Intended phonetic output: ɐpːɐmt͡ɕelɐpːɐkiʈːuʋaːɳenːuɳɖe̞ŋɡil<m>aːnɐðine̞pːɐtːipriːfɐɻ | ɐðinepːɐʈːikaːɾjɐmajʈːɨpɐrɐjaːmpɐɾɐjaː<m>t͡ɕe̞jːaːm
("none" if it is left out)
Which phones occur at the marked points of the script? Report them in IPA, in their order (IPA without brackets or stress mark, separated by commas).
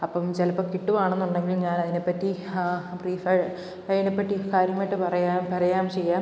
ɲ, m